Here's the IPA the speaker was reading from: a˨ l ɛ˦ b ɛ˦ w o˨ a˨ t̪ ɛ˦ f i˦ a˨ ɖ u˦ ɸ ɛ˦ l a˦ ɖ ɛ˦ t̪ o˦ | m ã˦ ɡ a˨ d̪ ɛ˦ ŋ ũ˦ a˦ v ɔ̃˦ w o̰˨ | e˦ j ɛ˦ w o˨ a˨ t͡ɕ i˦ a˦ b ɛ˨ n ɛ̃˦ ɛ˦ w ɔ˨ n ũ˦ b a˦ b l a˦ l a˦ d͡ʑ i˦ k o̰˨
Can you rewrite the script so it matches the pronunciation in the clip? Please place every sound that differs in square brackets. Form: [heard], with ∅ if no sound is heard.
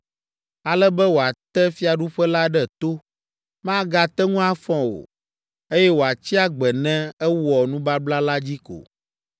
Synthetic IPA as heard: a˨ l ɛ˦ b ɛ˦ w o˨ a˨ t̪ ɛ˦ f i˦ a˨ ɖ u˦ ɸ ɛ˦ l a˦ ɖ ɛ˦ t̪ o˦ | m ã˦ ɡ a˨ [t̪] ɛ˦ ŋ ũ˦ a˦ [f] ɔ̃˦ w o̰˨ | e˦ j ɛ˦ w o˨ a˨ t͡ɕ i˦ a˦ [ɡ͡b] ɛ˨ n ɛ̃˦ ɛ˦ w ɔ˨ n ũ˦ b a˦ b l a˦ l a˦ d͡ʑ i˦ k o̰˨

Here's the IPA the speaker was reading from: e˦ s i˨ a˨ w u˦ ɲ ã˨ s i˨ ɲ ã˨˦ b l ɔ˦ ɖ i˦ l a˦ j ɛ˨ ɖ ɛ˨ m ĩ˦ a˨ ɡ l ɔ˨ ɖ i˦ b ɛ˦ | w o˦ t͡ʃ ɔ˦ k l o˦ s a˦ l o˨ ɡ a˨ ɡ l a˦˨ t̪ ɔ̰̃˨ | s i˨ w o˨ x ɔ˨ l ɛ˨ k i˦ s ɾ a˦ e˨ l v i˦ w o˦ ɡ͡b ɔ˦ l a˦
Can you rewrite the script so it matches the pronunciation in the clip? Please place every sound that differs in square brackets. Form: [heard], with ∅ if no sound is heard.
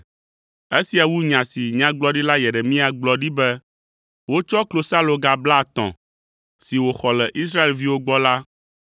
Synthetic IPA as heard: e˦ s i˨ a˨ w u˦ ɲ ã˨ s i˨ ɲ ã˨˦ [ɡ͡b] l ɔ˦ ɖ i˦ l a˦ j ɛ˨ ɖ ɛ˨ m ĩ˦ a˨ [ɡ͡b] l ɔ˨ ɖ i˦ b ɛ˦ | w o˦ t͡ʃ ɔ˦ k l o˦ s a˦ l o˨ ɡ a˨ [b] l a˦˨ t̪ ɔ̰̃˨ | s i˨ w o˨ x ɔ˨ l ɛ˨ [ʔ] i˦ s ɾ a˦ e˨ l v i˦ w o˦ ɡ͡b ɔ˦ l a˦

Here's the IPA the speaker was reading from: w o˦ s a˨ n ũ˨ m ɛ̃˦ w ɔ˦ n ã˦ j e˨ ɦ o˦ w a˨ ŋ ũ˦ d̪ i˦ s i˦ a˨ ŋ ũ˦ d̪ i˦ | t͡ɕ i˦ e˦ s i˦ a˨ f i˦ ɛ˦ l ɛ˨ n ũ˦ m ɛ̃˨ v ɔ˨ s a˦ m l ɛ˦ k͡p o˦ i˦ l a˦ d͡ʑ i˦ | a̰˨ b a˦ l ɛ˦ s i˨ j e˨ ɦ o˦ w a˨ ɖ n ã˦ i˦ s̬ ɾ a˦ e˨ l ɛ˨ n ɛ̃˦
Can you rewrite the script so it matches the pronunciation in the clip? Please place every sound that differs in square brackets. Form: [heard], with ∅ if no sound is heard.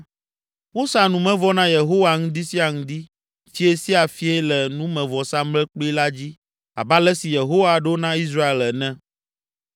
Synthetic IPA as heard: w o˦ s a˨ n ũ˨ m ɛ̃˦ [v] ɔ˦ n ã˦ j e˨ ɦ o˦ w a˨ ŋ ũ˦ d̪ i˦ s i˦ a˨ ŋ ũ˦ d̪ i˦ | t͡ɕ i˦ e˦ s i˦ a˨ f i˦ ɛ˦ l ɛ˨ n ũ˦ m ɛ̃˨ v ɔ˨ s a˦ m l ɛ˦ k͡p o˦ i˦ l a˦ d͡ʑ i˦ | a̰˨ b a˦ l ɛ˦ s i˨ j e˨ ɦ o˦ w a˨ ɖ n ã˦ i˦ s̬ ɾ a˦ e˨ l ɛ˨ n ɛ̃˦

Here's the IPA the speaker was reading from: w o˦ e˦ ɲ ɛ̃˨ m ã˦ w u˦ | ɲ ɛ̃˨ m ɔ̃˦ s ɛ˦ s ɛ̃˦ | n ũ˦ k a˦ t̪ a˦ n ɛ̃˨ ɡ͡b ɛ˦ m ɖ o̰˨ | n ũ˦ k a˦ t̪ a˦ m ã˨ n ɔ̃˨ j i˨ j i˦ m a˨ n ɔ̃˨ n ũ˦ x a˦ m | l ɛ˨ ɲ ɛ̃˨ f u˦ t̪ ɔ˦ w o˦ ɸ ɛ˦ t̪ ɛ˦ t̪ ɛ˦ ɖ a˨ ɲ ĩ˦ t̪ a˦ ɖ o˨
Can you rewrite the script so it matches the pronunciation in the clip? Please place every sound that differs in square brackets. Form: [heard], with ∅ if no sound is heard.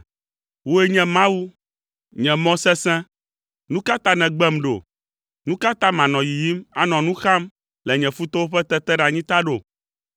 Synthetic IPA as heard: w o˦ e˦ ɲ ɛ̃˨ m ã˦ w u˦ | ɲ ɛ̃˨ m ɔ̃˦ s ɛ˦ s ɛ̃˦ | n ũ˦ k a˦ t̪ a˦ n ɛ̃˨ ɡ͡b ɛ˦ m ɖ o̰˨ | n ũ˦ k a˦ t̪ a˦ m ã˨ n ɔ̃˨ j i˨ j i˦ m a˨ n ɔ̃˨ n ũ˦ x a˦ m | l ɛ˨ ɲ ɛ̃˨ f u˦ t̪ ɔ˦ w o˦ ɸ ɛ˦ t̪ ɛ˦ t̪ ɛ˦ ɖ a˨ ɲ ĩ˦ t̪ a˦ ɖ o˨

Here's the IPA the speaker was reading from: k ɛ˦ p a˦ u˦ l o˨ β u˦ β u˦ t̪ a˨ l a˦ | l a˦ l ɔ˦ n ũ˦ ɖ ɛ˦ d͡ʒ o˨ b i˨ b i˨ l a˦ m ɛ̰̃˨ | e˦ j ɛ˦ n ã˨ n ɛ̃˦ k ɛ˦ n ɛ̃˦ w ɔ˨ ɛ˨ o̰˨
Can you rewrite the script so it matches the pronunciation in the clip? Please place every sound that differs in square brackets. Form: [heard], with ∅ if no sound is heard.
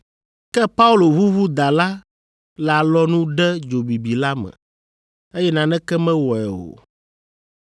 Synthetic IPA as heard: k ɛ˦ p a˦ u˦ l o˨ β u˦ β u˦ [d̪] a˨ l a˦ | l [a˨] l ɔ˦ n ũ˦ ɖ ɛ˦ d͡ʒ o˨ b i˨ b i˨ l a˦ m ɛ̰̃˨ | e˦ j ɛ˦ n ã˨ n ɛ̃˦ k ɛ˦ [m] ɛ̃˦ w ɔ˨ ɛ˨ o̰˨

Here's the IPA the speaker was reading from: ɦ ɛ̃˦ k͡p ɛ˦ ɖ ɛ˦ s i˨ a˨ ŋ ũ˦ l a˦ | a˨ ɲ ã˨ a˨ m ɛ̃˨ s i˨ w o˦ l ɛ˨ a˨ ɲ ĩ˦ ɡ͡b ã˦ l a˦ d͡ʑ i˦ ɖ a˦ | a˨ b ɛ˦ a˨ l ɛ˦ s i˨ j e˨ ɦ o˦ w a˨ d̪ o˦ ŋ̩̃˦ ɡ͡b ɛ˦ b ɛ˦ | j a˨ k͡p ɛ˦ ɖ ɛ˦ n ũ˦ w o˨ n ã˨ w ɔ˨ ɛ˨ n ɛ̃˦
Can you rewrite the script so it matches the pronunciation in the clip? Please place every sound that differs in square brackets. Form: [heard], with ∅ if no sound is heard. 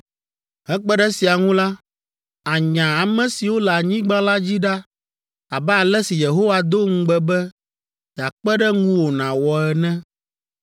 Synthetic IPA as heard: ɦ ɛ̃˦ k͡p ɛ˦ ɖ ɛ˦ s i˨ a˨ ŋ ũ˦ l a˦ | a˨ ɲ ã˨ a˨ m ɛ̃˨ s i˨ w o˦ l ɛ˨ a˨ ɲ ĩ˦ ɡ͡b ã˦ l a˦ d͡ʑ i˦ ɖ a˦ | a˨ b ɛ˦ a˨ l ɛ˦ s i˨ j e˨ ɦ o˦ w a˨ d̪ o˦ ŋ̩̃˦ ɡ͡b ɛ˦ b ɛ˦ | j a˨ k͡p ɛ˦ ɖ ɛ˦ [ŋ] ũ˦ w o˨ n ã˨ w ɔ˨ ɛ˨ n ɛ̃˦

